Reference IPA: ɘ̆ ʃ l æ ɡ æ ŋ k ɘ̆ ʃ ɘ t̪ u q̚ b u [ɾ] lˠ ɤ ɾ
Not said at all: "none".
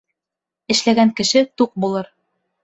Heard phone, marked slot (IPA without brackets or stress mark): none